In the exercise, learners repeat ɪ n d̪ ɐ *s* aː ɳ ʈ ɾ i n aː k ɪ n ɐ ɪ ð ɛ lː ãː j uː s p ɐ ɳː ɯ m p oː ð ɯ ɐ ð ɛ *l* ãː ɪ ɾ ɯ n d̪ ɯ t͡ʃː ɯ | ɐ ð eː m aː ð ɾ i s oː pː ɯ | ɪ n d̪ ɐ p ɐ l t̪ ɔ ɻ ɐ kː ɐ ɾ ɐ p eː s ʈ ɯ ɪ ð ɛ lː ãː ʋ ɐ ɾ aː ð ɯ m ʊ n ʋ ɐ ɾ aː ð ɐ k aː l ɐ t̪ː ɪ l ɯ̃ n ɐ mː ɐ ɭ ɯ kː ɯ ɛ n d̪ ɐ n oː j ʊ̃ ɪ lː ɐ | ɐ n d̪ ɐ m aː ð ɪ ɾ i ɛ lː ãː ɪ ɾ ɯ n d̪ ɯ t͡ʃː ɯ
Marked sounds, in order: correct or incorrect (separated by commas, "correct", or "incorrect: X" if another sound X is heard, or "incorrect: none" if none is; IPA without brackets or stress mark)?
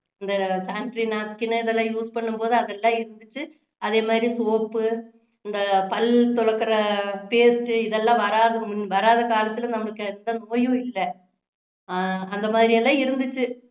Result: correct, incorrect: lː